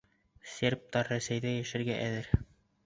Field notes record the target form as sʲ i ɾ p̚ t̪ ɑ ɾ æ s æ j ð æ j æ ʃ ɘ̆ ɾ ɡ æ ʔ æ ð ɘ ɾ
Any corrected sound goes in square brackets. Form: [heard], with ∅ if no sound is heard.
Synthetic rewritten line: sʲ [e] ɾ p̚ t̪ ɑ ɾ æ s æ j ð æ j æ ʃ ɘ̆ ɾ ɡ æ ʔ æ ð ɘ ɾ